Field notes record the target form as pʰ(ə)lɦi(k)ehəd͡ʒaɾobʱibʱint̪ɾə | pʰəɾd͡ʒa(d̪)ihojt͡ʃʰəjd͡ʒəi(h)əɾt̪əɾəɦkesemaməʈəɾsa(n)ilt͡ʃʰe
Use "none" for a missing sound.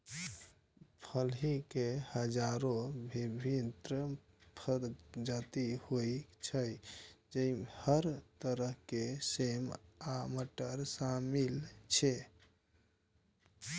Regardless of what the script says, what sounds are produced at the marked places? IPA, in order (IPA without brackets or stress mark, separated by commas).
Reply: ə, k, t̪, h, m